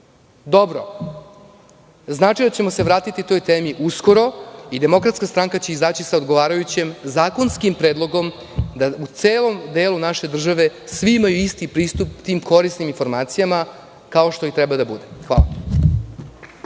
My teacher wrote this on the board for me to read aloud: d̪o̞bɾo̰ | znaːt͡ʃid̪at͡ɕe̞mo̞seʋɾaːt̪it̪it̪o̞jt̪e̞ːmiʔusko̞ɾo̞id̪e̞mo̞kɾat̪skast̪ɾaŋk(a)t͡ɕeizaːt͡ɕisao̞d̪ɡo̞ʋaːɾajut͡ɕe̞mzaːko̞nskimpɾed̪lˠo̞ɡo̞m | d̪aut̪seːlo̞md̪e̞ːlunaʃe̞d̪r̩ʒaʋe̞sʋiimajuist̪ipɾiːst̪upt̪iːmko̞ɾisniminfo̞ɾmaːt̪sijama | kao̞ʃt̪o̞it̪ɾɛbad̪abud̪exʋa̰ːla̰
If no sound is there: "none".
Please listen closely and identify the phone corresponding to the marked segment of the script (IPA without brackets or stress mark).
a